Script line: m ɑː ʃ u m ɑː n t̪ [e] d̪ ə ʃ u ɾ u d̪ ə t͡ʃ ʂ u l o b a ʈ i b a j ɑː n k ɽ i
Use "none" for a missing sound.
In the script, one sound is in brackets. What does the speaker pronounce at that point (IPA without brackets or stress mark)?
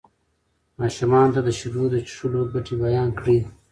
a